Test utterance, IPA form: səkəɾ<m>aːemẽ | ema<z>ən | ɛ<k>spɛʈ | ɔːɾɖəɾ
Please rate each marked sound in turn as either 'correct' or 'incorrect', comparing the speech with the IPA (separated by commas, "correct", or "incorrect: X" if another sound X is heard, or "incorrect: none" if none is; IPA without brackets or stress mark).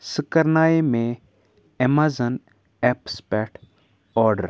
incorrect: n, correct, incorrect: p